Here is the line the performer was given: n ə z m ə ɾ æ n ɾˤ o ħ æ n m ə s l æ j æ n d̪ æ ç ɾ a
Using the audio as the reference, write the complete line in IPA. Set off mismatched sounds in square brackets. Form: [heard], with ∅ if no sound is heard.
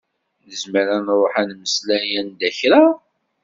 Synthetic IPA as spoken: n ə z m ə ɾ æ n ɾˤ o ħ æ n m ə s l æ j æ n d̪ æ ç ɾ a